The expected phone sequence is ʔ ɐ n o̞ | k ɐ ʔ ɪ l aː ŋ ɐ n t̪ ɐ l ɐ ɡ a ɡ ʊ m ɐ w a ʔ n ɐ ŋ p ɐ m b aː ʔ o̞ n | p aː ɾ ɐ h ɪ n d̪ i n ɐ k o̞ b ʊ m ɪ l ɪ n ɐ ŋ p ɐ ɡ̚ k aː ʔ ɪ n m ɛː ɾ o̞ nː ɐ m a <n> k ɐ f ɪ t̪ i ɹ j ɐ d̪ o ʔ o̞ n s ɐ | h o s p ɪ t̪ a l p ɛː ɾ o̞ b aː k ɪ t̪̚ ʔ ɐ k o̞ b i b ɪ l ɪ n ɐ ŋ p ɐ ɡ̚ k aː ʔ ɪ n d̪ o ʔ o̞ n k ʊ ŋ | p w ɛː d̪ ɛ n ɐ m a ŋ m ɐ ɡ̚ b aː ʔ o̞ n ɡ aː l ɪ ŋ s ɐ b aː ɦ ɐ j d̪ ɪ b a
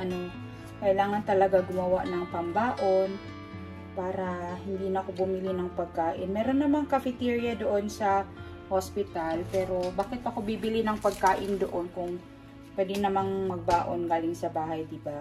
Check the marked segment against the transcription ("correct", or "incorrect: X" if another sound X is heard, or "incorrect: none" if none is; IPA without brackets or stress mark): incorrect: ŋ